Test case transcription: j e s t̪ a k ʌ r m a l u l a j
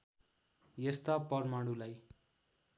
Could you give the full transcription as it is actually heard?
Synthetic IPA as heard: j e s t̪ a p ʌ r m a ɽ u l a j